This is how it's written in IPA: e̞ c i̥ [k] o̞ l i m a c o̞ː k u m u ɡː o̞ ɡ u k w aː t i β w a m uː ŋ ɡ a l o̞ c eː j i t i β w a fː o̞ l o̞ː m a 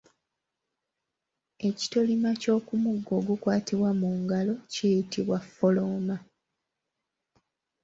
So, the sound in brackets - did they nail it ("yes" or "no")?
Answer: no